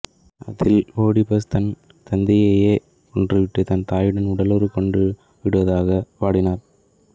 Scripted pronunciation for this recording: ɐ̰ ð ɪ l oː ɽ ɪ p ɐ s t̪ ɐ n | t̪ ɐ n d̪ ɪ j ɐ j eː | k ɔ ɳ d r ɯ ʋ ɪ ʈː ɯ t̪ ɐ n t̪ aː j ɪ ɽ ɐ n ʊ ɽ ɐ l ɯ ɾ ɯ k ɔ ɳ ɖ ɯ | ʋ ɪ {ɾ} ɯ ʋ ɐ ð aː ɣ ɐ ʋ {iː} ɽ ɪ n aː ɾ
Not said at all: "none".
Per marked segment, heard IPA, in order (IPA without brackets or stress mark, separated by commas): ɽ, aː